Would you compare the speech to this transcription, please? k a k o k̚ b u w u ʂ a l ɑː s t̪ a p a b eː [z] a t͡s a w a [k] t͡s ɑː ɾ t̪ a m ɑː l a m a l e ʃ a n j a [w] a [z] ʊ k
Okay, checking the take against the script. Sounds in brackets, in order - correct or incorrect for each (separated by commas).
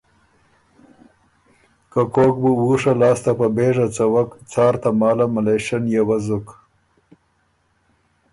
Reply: incorrect, correct, correct, correct